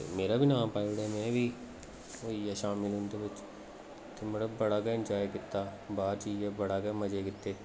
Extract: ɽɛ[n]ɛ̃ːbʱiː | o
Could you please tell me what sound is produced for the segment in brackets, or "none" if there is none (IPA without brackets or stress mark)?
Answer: m